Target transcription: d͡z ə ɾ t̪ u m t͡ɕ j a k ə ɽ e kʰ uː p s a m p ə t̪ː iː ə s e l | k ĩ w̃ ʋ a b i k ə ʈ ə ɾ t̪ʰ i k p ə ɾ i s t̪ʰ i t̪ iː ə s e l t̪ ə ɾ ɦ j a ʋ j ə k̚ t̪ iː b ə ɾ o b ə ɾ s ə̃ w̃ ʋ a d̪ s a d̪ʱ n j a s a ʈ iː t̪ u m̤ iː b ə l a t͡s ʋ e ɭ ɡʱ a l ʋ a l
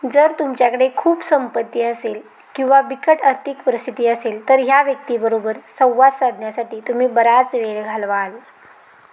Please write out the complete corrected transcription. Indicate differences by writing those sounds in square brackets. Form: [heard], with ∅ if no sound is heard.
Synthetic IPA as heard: d͡z ə ɾ t̪ u m t͡ɕ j a k ə ɽ e kʰ uː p s [ə] m p ə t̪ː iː ə s e l | k ĩ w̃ ʋ a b i k ə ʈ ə ɾ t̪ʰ i k p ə ɾ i s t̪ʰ i t̪ iː ə s e l t̪ ə ɾ ɦ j a ʋ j ə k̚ t̪ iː b ə ɾ o b ə ɾ s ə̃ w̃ ʋ a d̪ s a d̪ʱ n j a s a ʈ iː t̪ u m̤ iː b ə [ɾ] a t͡s ʋ e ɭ ɡʱ a l ʋ a l

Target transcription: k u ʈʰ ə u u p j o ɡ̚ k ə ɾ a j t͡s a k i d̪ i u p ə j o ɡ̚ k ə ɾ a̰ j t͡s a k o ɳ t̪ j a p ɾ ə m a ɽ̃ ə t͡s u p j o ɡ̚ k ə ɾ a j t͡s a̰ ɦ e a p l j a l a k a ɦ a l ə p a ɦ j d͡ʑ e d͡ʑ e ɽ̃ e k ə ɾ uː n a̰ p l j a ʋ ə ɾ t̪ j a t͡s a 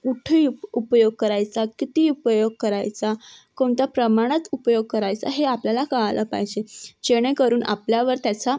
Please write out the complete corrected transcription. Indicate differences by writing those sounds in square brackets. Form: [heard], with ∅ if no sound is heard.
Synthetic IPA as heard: k u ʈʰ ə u u p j o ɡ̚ k ə ɾ a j t͡s a k i [t̪] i u p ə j o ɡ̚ k ə ɾ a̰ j t͡s a k o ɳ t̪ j a p ɾ ə m a ɽ̃ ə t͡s u p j o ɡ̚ k ə ɾ a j t͡s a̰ ɦ e a p l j a l a k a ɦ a l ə p a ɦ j d͡ʑ e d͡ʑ e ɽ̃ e k ə ɾ uː n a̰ p l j a ʋ ə ɾ t̪ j a t͡s a

